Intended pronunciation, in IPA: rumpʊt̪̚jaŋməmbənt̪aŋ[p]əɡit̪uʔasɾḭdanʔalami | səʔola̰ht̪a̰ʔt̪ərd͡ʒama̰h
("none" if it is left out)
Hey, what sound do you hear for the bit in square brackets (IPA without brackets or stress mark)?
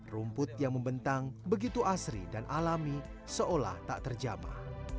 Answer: b